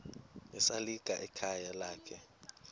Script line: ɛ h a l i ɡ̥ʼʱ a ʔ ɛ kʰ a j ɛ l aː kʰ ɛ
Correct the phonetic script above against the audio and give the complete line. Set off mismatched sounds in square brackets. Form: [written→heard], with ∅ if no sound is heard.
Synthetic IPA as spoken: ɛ [h→s] a l i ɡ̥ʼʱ a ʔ ɛ kʰ a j [ɛ→a] l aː kʰ ɛ